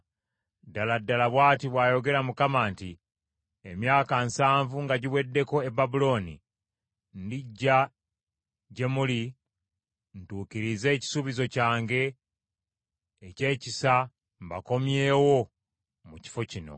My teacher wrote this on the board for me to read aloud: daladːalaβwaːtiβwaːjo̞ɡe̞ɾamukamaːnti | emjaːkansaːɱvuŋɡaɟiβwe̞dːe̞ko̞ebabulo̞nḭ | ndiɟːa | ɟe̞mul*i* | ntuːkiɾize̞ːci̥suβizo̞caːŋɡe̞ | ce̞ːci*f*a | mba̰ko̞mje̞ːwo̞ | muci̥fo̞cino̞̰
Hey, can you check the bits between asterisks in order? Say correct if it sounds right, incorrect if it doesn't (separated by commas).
correct, incorrect